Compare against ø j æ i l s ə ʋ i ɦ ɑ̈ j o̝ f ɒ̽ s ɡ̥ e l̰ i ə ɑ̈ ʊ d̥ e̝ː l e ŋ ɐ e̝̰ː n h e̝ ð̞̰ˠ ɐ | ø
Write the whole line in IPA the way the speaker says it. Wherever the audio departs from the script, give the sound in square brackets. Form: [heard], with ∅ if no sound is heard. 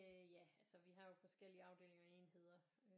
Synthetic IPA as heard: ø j æ [æ] l s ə ʋ i ɦ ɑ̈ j o̝ f ɒ̽ s ɡ̥ e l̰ i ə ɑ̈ ʊ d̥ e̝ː l e ŋ ɐ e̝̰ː n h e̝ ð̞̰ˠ ɐ | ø